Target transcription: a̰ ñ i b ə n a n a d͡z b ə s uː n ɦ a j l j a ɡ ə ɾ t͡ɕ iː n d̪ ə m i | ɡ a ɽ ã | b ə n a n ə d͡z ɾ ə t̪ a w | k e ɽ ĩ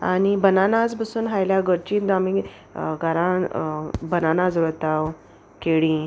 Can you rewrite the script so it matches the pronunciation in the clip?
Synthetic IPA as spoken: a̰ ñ i b ə n a n a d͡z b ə s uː n ɦ a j l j a ɡ ə ɾ t͡ɕ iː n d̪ a m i | ɡ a ɾ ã | b ə n a n a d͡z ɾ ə t̪ a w | k e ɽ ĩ